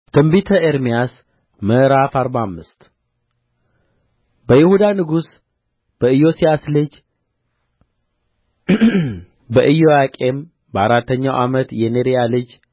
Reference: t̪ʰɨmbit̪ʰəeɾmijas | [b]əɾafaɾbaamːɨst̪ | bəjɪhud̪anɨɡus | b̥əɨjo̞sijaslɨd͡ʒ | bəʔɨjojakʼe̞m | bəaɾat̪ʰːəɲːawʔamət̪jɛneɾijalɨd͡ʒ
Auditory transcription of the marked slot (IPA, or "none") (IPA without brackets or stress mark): m